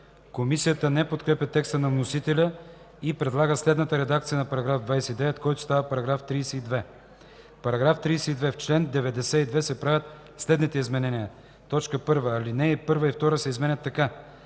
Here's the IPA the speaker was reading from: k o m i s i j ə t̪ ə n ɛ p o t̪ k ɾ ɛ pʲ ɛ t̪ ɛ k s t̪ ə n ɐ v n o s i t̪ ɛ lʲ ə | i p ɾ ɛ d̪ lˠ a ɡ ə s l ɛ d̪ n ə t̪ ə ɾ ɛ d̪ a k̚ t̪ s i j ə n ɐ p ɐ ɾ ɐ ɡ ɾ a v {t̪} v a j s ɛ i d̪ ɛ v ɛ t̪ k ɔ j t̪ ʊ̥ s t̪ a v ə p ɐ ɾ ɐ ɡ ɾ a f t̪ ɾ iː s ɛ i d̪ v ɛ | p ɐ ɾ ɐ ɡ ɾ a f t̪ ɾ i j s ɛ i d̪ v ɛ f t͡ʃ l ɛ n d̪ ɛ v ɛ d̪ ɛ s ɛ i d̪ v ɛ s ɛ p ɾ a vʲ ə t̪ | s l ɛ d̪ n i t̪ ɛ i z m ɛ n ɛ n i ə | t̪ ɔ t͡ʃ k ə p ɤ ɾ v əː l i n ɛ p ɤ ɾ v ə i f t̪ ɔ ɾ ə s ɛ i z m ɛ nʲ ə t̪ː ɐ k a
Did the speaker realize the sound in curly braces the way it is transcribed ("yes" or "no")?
no